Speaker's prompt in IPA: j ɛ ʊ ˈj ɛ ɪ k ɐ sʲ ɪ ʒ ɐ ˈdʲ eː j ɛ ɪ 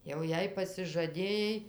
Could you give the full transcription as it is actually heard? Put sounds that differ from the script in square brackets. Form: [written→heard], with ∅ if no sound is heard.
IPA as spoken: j ɛ ʊ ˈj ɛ ɪ [k→p] ɐ sʲ ɪ ʒ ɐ ˈdʲ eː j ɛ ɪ